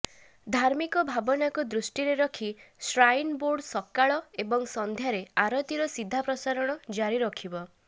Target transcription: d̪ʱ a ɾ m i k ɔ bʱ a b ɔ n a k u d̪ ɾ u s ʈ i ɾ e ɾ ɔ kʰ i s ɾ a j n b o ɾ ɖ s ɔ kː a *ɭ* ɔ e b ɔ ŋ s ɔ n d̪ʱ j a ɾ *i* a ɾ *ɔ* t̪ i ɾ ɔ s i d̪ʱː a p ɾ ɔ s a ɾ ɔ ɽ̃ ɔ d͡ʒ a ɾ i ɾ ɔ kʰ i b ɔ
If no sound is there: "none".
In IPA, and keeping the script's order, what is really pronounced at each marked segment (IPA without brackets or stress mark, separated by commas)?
ɭ, e, ɔ